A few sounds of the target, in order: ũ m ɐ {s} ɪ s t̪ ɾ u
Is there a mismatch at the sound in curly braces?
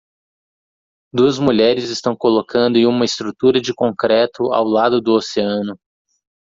yes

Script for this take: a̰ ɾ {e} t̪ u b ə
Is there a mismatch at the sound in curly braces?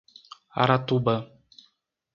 yes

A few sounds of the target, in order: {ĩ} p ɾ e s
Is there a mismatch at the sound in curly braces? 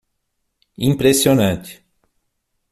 no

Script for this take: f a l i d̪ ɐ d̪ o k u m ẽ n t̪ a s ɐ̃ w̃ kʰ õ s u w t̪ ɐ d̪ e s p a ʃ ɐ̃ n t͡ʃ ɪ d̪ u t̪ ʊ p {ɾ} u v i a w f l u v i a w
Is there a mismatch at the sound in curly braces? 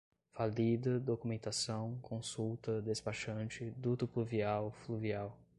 yes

